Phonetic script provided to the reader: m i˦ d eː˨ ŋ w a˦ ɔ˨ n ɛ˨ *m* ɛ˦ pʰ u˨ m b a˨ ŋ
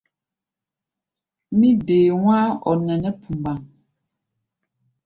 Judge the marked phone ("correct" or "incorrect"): incorrect